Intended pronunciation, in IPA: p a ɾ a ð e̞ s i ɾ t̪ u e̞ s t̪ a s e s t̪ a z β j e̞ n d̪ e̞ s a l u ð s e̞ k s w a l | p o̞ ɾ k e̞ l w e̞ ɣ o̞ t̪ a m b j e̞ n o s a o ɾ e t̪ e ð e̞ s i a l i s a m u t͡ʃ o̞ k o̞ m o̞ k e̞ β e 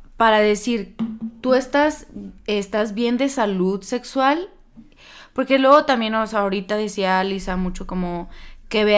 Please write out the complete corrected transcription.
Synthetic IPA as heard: p a ɾ a ð e̞ s i ɾ t̪ u e̞ s t̪ a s e s t̪ a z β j e̞ n d̪ e̞ s a l u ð s e̞ k s w a l | p o̞ ɾ k e̞ l w e̞ ɣ o̞ t̪ a m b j e̞ n o s a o ɾ i t̪ a ð e̞ s i a l i s a m u t͡ʃ o̞ k o̞ m o̞ k e̞ β e